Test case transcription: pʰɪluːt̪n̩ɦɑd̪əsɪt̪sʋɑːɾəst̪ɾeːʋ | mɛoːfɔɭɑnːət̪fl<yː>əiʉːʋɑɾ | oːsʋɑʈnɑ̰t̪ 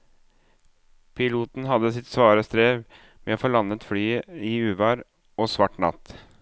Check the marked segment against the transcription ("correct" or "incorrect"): correct